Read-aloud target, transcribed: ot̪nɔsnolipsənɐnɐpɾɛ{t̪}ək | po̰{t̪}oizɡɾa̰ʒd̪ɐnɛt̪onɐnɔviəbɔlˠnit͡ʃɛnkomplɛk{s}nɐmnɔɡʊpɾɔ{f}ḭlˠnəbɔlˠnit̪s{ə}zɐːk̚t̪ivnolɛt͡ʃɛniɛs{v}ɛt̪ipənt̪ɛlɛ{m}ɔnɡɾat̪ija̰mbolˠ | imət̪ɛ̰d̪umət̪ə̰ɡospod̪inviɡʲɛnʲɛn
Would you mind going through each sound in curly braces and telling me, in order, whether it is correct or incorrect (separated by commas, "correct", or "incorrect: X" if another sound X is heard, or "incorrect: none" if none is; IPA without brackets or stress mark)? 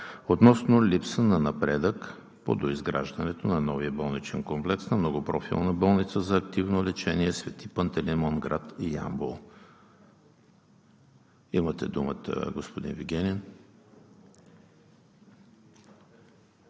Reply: incorrect: d̪, incorrect: d̪, correct, correct, correct, correct, correct